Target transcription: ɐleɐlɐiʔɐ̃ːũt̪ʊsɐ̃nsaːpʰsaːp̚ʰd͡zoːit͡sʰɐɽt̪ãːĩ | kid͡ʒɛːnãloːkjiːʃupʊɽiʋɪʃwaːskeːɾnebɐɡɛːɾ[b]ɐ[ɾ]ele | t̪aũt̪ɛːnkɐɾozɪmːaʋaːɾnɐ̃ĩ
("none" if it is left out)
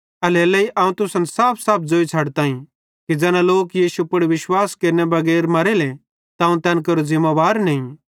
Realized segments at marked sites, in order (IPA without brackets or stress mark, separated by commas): m, ɾ